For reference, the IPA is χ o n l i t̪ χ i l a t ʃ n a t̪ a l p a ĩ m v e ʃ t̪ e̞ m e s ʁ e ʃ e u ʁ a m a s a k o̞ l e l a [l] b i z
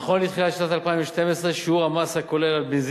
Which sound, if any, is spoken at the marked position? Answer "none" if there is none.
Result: l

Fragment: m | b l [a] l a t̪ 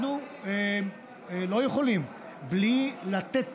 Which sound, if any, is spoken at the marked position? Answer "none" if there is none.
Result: i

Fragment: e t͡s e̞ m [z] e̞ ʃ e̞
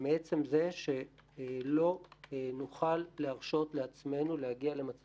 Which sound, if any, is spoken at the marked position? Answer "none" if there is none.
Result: z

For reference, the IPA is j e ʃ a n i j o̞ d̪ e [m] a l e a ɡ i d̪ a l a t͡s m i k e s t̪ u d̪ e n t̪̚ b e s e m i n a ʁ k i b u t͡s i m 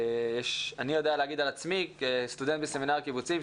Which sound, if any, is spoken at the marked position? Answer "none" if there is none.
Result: none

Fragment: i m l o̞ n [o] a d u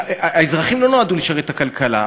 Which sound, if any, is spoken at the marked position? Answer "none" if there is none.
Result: o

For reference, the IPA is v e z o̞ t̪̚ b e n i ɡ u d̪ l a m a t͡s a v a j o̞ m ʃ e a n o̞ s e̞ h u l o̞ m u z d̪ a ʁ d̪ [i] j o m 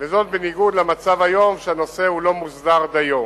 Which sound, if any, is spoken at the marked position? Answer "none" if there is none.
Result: a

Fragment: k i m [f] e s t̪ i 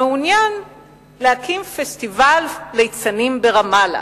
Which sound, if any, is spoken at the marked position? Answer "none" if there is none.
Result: f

